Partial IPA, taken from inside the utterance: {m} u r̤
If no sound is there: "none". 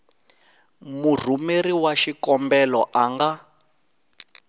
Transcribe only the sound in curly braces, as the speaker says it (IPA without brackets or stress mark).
m